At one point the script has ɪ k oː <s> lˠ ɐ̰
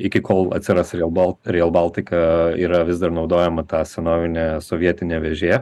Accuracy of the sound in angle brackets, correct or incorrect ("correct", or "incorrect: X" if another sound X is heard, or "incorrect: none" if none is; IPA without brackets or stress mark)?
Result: incorrect: none